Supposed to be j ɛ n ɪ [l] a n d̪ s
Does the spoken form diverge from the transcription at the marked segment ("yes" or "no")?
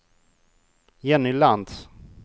no